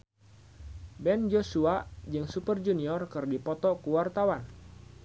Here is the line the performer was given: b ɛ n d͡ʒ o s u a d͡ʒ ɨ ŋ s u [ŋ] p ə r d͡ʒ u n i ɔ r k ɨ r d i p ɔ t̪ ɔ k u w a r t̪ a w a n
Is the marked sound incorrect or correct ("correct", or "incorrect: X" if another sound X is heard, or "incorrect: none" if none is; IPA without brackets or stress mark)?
incorrect: none